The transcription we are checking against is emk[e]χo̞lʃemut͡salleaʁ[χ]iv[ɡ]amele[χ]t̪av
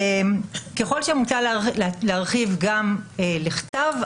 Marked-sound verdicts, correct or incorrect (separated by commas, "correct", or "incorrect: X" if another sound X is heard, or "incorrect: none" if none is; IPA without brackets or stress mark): correct, correct, correct, correct